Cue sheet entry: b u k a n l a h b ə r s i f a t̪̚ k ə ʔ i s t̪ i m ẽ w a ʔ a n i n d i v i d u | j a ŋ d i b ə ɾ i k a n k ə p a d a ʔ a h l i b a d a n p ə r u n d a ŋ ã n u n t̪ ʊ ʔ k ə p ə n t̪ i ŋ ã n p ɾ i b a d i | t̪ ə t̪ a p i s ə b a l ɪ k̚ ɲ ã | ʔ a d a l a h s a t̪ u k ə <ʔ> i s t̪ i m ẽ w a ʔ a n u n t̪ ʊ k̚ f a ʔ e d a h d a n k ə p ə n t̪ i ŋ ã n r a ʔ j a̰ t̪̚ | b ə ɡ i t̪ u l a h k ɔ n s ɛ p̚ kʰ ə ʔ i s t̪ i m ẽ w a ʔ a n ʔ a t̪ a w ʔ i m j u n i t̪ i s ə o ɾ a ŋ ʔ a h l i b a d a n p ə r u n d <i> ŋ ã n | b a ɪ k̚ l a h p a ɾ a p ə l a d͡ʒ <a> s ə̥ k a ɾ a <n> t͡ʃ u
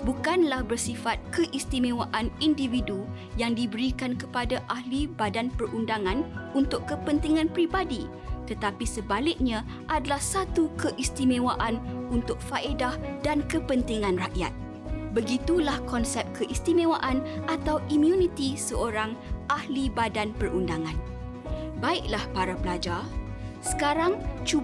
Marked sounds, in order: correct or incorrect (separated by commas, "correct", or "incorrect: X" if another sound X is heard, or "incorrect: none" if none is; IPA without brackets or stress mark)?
correct, incorrect: a, correct, incorrect: ŋ